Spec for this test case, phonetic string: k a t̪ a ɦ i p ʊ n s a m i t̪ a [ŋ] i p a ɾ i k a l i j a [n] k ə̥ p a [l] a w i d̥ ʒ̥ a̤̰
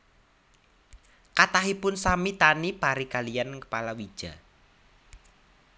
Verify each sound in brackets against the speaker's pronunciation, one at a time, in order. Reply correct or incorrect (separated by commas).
incorrect, correct, correct